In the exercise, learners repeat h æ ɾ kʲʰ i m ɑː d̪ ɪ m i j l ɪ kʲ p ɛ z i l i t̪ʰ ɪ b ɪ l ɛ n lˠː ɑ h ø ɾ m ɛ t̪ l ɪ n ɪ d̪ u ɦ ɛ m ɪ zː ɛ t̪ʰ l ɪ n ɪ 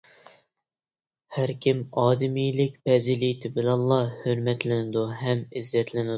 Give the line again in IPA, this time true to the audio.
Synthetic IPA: h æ ɾ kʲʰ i m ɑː d̪ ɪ m i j l ɪ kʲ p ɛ z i l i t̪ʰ ɪ b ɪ l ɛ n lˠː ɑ h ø ɾ m ɛ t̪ l ɪ n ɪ d̪ u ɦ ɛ m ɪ zː ɛ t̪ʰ l ɪ n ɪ